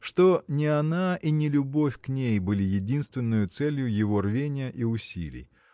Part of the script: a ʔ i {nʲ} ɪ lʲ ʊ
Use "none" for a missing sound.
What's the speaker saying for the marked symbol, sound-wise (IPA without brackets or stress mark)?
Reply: nʲ